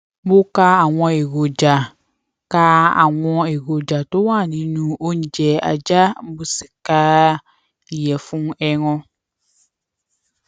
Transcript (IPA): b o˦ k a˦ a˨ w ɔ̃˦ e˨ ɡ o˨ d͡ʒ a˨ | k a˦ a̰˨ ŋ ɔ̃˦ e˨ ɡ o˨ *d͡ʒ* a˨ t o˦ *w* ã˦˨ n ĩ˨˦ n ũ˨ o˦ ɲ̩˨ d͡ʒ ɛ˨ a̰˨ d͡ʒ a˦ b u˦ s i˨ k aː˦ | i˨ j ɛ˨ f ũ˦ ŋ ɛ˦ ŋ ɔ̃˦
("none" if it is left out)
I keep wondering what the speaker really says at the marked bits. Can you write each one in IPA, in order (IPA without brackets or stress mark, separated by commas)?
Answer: d͡ʒ, w